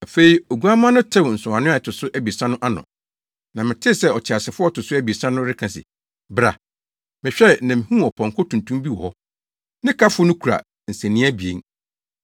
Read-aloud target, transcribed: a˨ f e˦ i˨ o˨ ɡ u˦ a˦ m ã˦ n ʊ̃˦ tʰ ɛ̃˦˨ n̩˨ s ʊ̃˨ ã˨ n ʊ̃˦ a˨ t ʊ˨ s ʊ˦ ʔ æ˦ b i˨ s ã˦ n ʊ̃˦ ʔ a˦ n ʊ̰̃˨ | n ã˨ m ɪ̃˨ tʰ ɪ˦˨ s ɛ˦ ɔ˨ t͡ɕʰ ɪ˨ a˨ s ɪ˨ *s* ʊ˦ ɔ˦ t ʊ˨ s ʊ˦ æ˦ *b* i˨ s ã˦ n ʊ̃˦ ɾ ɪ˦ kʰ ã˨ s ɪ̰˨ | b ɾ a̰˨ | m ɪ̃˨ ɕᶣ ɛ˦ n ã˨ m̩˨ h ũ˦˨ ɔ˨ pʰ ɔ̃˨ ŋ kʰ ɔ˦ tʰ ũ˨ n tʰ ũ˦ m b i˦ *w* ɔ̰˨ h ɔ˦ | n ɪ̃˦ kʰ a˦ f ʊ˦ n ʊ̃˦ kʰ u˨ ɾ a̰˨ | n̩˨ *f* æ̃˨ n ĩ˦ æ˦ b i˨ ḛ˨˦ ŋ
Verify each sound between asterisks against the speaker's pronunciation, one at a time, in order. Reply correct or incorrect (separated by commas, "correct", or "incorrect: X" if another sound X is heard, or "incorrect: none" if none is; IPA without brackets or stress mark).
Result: incorrect: f, correct, correct, incorrect: s